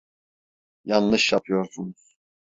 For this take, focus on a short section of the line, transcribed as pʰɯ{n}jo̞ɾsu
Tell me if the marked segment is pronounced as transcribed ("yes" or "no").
no